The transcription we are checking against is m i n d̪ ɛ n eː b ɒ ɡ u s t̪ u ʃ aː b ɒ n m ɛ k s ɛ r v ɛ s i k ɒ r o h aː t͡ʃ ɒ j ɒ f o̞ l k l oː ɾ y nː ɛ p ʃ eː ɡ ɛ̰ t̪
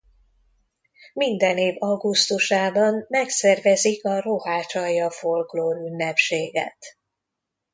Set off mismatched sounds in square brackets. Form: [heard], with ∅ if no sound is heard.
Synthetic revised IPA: m i n d̪ ɛ n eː [v] ɒ ɡ u s t̪ u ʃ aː b ɒ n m ɛ k s ɛ r v ɛ [z] i k ɒ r o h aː t͡ʃ ɒ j ɒ f o̞ l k l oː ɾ y nː ɛ p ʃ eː ɡ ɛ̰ t̪